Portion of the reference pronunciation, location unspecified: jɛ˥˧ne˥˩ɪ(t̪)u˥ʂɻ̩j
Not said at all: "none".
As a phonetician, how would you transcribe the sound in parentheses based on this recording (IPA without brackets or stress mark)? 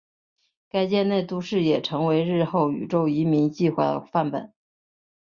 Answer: t̪